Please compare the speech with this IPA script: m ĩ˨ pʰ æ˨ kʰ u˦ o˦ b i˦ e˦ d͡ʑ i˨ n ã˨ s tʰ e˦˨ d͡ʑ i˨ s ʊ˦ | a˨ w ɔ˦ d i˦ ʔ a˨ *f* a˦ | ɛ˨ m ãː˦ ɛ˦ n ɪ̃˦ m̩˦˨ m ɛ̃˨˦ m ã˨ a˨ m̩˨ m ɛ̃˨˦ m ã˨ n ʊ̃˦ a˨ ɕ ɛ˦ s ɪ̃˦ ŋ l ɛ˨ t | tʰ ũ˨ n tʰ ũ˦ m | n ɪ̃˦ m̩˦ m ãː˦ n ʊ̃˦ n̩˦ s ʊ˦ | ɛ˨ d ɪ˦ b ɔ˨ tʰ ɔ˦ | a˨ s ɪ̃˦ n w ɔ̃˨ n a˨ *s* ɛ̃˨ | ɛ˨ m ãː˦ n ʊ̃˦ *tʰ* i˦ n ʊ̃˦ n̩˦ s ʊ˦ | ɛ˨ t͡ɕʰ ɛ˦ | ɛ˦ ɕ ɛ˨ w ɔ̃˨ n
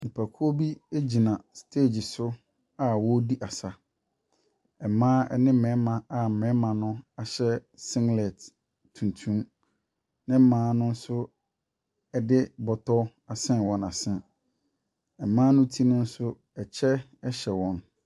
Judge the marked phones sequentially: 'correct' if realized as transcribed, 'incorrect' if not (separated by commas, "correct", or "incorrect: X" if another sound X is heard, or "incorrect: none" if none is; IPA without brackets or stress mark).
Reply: incorrect: s, correct, correct